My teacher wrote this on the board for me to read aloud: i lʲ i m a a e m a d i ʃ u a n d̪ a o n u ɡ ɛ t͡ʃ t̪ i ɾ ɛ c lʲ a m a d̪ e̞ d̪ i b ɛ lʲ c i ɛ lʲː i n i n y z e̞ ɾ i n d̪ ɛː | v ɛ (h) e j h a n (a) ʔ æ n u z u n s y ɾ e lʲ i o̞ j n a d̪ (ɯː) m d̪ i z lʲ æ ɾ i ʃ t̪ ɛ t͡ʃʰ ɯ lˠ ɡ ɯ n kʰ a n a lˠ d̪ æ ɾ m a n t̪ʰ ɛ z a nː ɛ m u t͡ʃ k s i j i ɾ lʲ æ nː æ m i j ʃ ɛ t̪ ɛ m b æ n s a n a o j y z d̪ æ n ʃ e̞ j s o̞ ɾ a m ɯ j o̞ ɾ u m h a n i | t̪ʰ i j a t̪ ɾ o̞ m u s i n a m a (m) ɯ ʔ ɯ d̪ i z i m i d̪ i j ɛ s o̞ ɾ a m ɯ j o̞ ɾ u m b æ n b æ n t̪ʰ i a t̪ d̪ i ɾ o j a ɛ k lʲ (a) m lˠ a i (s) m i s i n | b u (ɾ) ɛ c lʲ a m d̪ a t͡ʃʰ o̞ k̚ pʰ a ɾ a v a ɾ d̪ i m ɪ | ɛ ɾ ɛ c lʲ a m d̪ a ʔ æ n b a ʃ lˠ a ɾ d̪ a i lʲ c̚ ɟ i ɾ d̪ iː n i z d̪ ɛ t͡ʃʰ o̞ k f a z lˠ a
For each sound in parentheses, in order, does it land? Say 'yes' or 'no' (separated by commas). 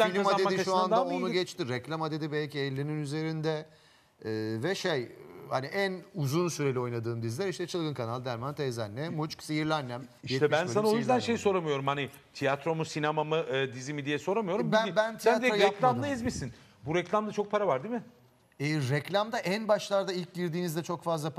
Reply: no, no, yes, yes, yes, no, yes